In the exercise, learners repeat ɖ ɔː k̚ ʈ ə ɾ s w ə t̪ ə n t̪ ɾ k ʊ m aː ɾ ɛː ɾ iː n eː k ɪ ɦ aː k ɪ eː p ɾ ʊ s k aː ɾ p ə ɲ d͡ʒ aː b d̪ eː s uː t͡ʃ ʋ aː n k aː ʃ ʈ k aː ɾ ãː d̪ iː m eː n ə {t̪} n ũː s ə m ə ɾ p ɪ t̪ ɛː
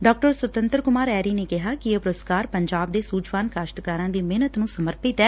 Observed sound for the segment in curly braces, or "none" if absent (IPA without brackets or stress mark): t̪